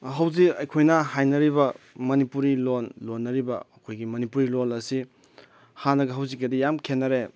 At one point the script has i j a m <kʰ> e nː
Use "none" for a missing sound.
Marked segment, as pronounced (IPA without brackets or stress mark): kʰ